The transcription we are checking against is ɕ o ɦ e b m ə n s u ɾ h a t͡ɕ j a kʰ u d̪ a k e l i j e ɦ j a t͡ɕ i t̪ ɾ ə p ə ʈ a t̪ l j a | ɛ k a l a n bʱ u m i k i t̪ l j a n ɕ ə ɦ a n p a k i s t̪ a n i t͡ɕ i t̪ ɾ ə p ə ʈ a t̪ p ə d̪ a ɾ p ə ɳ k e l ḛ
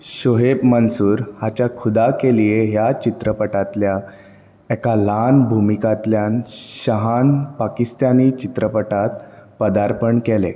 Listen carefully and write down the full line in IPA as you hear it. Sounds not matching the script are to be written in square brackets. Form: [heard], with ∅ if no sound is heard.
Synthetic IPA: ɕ o ɦ e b m ə n s [uː] ɾ h a t͡ɕ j a kʰ u d̪ a k e l i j e ɦ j a t͡ɕ i t̪ ɾ ə p ə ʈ a t̪ l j a | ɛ k a l a n bʱ u m i k [a] t̪ l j a n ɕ ə ɦ a n p a k i s t̪ a n i t͡ɕ i t̪ ɾ ə p ə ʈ a t̪ p ə d̪ a ɾ p ə ɳ k e l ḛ

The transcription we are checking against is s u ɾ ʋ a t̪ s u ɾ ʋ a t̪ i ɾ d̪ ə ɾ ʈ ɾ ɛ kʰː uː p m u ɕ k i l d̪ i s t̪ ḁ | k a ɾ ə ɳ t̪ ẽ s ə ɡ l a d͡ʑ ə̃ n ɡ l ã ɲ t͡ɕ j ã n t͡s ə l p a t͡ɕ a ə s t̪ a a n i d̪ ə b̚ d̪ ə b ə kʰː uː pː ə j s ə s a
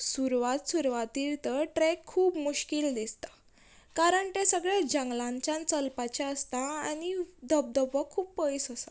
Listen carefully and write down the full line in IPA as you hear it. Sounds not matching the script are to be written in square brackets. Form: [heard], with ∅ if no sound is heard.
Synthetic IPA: s u ɾ ʋ a t̪ s u ɾ ʋ a t̪ i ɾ [t̪] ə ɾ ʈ ɾ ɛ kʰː uː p m u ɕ k i l d̪ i s t̪ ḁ | k a ɾ ə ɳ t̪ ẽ s ə ɡ [ɭ] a d͡ʑ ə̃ [ŋ] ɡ l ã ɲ t͡ɕ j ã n t͡s ə l p a t͡ɕ a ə s t̪ a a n i d̪ ə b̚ d̪ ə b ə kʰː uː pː ə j s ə s a

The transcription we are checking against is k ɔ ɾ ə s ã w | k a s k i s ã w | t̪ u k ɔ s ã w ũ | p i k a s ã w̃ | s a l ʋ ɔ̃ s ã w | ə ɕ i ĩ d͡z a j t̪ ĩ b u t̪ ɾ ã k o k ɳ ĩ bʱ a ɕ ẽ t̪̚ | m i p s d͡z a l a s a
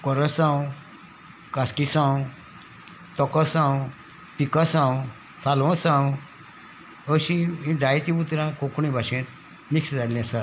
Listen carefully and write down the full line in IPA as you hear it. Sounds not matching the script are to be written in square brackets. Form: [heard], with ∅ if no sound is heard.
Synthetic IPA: k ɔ ɾ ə s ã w | k a s k i s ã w | t̪ [ɔ] k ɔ s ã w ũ | p i k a s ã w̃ | s a l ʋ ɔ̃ s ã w | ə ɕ i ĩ d͡z a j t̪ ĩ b u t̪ ɾ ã k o k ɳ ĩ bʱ a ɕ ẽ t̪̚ | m i [k] s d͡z a l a s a

